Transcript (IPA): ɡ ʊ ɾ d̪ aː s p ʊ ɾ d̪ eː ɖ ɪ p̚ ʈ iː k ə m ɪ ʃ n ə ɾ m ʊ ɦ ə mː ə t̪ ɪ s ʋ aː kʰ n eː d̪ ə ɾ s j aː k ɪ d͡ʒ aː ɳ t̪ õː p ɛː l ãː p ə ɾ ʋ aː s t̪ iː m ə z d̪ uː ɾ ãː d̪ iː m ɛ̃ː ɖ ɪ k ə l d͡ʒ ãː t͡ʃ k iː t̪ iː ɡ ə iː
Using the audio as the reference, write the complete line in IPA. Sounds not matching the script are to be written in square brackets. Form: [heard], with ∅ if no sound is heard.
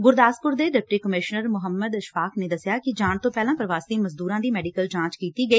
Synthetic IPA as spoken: ɡ ʊ ɾ d̪ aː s p ʊ ɾ d̪ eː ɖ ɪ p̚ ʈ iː k ə m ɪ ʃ n ə ɾ m ʊ ɦ ə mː ə [d̪] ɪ [ʃ] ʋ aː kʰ n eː d̪ ə [∅] s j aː k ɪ d͡ʒ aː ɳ t̪ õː p ɛː l ãː p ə ɾ ʋ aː s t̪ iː m ə z d̪ uː ɾ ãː d̪ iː m [ɛː] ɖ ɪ k ə l d͡ʒ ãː t͡ʃ k iː t̪ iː ɡ ə iː

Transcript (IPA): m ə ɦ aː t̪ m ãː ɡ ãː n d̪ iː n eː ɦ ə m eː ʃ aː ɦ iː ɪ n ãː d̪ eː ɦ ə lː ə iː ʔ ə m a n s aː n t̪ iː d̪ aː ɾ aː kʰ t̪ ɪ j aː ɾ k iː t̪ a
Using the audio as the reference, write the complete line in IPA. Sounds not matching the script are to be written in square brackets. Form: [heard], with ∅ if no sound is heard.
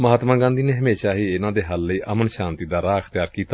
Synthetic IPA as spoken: m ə ɦ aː t̪ m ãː ɡ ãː n d̪ iː n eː ɦ ə m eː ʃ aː ɦ iː ɪ n ãː d̪ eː ɦ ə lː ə iː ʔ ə m [ə] n [ʃ] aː n t̪ iː d̪ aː ɾ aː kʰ t̪ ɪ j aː ɾ k iː t̪ a

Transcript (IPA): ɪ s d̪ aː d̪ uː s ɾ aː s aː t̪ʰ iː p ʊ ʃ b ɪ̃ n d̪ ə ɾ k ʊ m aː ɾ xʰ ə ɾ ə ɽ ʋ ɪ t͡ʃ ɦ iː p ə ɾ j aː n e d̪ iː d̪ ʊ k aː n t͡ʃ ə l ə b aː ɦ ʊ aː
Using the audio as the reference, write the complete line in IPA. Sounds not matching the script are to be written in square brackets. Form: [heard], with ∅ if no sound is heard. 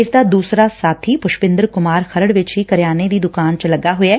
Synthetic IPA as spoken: ɪ s d̪ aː d̪ uː s ɾ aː s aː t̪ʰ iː p ʊ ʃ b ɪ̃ n d̪ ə ɾ k ʊ m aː ɾ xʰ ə ɾ ə ɽ ʋ ɪ t͡ʃ ɦ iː [k] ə ɾ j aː n e d̪ iː d̪ ʊ k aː n t͡ʃ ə l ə [ɡ] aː ɦ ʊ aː

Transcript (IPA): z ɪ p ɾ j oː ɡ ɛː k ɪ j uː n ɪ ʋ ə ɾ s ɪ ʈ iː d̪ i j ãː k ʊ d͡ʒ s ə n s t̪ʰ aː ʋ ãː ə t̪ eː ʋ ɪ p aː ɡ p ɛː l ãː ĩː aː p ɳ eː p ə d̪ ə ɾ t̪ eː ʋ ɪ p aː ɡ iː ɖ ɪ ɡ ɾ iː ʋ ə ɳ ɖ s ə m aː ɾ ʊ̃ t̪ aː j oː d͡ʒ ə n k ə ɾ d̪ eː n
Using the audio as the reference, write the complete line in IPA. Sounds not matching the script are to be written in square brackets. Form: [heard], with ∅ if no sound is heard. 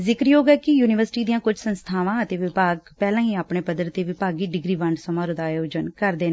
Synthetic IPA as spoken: z ɪ [k] ɾ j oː ɡ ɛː k ɪ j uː n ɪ ʋ ə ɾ s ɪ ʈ iː d̪ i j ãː k ʊ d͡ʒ s ə n s t̪ʰ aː ʋ ãː ə t̪ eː ʋ ɪ p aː ɡ p ɛː l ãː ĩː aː p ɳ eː p ə d̪ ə ɾ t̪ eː ʋ ɪ p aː ɡ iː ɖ ɪ ɡ ɾ iː ʋ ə ɳ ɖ s ə m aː ɾ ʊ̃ [d̪] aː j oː d͡ʒ ə n k ə ɾ d̪ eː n

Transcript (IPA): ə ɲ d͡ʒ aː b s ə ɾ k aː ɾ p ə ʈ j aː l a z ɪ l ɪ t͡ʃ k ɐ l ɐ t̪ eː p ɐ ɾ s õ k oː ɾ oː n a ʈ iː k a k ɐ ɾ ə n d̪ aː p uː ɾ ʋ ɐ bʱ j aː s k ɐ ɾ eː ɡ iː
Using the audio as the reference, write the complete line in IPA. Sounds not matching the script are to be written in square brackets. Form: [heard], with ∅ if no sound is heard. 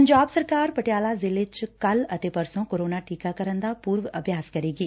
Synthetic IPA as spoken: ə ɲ d͡ʒ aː b s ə ɾ k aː ɾ p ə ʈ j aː l a z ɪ l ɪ t͡ʃ k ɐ l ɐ t̪ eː p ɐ ɾ s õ k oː ɾ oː n a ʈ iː k a k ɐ ɾ ə n d̪ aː p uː ɾ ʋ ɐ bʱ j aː s k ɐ ɾ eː ɡ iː

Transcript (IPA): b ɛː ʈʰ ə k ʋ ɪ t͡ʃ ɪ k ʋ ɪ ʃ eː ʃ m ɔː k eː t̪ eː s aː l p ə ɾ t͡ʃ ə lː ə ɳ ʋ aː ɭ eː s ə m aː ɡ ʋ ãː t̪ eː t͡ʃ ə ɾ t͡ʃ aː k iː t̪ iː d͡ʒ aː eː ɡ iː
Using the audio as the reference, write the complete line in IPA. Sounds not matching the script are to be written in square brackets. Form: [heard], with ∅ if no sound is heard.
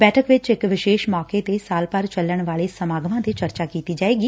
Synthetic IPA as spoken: b ɛː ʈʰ ə k ʋ ɪ t͡ʃ ɪ k ʋ ɪ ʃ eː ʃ m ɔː k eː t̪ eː s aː l p ə ɾ t͡ʃ ə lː ə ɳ ʋ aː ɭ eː s ə m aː ɡ ʋ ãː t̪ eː t͡ʃ ə ɾ t͡ʃ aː k iː t̪ iː d͡ʒ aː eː ɡ iː

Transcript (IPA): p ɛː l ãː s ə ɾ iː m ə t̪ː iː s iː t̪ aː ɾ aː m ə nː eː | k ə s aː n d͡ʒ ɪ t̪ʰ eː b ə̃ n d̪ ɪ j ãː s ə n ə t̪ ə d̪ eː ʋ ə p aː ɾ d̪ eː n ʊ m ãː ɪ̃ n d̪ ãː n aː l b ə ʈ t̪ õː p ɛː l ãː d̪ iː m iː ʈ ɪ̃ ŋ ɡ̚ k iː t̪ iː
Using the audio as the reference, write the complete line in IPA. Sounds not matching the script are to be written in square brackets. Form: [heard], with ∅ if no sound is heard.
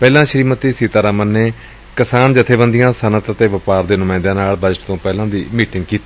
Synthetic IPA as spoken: p ɛː l ãː [ʃ] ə ɾ iː m ə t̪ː iː s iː t̪ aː ɾ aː m ə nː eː | k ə s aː n d͡ʒ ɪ t̪ʰ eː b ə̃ n d̪ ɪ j ãː s ə n ə t̪ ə [t̪] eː ʋ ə p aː ɾ d̪ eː n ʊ m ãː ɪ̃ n d̪ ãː n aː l b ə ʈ t̪ õː p ɛː l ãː d̪ iː m iː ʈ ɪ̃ ŋ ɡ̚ k iː t̪ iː

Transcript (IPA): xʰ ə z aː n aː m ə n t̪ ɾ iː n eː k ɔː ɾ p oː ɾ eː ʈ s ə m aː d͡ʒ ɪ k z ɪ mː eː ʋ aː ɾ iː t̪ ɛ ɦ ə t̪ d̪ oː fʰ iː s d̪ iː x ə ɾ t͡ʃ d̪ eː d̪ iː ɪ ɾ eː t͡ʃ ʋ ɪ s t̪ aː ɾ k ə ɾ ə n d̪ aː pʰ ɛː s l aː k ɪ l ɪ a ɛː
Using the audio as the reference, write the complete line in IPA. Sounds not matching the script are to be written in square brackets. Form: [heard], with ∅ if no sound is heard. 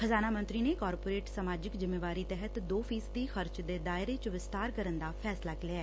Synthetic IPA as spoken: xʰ ə z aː n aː m ə n t̪ ɾ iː n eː k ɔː ɾ p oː ɾ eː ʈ s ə m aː d͡ʒ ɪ k z ɪ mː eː ʋ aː ɾ iː t̪ ɛ ɦ ə t̪ d̪ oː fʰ iː s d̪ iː x ə ɾ t͡ʃ d̪ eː d̪ [aː] ɪ ɾ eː t͡ʃ ʋ ɪ s t̪ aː ɾ k ə ɾ ə n d̪ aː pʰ ɛː s l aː k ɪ l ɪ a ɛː

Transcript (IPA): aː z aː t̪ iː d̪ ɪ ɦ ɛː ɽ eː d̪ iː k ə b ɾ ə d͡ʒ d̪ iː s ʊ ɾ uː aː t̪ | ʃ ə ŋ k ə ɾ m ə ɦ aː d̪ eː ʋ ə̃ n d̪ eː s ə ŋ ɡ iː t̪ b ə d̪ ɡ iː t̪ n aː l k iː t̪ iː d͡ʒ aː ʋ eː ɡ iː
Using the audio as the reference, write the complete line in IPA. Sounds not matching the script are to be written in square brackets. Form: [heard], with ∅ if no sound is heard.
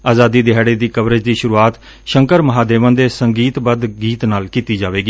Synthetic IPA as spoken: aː z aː [d̪] iː d̪ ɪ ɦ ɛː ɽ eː d̪ iː k ə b ɾ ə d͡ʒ d̪ iː [ʃ] ʊ ɾ uː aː t̪ | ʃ ə ŋ k ə ɾ m ə ɦ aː d̪ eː ʋ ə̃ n d̪ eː s ə ŋ ɡ iː t̪ b ə d̪ ɡ iː t̪ n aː l k iː t̪ iː d͡ʒ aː ʋ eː ɡ iː

